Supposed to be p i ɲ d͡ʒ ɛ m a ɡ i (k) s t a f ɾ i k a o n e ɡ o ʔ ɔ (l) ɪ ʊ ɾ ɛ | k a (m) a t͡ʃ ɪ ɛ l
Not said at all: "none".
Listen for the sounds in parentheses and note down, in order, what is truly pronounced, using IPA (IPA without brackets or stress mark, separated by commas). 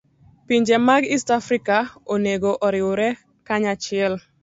none, ɾ, ɲ